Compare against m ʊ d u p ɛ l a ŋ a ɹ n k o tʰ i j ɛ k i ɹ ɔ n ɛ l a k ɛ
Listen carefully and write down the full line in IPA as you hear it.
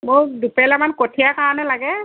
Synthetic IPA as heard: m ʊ d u p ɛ l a m a n k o tʰ i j a k a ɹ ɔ n ɛ l a ɡ ɛ